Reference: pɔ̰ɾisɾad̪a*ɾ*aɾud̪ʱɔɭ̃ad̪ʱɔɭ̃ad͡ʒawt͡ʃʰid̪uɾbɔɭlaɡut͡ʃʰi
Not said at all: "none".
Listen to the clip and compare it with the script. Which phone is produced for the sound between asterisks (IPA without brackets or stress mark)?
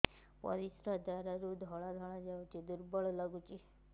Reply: ɾ